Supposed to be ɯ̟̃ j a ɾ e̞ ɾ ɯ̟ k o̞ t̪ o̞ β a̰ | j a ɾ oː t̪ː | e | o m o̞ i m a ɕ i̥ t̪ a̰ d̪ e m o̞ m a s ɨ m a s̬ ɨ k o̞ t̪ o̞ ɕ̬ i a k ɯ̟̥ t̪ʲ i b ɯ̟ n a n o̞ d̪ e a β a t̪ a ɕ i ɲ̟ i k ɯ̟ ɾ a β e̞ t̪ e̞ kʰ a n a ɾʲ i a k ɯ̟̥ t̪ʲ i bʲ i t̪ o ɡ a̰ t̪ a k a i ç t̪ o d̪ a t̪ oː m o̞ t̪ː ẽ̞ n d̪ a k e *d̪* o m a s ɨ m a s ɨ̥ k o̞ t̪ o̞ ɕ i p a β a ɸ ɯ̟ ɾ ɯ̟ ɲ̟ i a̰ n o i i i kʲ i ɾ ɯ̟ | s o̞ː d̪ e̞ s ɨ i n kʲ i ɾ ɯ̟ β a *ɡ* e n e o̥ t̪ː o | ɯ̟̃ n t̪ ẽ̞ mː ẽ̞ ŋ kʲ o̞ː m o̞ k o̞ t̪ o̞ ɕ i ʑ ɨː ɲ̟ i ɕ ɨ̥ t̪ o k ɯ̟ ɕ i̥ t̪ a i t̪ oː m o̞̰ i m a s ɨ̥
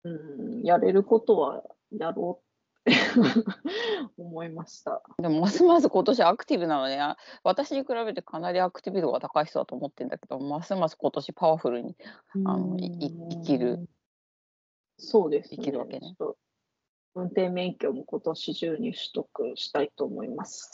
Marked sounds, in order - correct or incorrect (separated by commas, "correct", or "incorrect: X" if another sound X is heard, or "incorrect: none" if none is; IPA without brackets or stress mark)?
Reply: correct, incorrect: k